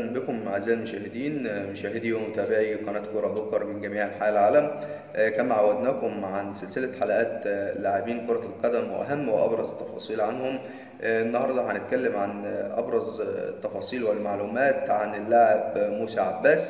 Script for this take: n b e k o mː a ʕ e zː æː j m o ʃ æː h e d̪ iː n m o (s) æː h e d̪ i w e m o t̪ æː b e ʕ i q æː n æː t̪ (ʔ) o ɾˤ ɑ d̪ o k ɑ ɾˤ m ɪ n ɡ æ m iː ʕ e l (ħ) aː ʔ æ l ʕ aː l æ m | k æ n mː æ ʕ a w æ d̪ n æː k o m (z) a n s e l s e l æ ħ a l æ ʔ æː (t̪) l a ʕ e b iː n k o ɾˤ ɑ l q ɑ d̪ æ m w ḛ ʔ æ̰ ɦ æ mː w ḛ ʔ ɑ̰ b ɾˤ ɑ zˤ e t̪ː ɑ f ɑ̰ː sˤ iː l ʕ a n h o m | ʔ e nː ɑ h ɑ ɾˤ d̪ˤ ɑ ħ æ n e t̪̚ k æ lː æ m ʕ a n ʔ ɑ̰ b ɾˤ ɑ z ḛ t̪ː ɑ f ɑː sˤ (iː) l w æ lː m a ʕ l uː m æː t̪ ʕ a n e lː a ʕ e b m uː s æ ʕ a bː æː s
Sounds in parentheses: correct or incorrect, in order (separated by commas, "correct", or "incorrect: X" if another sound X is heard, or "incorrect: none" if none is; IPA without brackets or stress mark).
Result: incorrect: ʃ, incorrect: k, correct, incorrect: ʕ, correct, correct